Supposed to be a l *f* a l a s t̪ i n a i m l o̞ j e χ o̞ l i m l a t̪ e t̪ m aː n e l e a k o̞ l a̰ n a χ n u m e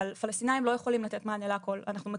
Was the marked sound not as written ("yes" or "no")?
no